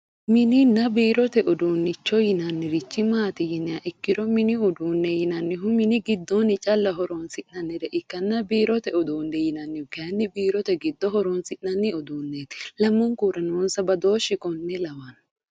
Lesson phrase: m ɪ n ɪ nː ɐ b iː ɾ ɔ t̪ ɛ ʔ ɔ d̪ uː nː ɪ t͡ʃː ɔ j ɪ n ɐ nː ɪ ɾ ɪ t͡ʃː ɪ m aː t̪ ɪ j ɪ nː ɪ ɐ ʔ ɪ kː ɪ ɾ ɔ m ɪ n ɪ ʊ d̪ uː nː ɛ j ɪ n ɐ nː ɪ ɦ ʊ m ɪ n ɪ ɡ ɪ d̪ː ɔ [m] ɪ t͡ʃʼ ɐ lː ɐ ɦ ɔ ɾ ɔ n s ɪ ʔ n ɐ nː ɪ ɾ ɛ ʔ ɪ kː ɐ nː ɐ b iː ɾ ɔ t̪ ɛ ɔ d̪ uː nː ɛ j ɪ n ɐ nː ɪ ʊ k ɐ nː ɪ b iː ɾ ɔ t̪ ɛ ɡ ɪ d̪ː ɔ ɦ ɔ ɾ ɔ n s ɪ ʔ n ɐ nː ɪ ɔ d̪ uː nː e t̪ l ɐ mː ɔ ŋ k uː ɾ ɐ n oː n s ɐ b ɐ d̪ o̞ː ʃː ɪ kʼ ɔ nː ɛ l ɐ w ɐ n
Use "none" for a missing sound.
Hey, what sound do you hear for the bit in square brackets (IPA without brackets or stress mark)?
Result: n